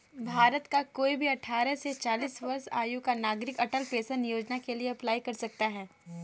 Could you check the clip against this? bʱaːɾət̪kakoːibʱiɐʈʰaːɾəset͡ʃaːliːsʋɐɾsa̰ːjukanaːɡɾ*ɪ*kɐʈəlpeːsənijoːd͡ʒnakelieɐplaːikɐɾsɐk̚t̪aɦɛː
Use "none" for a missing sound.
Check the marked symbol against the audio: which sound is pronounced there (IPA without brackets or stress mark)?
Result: ɪ